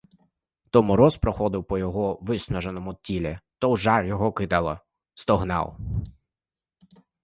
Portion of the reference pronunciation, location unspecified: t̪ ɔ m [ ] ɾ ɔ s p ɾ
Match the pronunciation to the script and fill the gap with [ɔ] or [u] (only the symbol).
ɔ